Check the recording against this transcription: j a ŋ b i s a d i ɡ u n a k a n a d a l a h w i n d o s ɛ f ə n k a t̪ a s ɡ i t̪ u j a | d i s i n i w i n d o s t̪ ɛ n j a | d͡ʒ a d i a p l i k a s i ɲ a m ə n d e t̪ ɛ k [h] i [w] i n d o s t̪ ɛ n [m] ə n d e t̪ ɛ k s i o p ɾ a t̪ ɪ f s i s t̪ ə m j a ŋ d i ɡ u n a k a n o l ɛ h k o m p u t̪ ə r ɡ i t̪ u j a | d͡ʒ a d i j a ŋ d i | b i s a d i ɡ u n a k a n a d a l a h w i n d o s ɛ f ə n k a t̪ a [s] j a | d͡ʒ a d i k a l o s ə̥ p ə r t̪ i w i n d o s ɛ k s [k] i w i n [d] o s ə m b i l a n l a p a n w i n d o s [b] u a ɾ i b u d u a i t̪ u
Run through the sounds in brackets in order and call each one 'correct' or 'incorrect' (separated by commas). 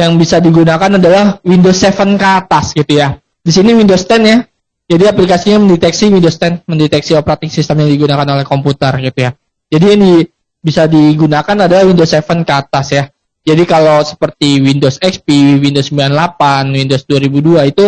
incorrect, correct, correct, correct, incorrect, correct, incorrect